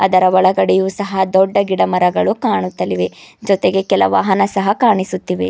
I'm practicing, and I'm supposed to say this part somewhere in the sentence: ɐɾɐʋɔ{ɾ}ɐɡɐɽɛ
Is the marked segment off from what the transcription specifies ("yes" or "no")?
yes